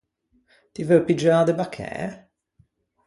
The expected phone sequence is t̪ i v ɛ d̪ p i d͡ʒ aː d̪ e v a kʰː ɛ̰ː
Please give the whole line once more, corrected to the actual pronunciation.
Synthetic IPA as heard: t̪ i v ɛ p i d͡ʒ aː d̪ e b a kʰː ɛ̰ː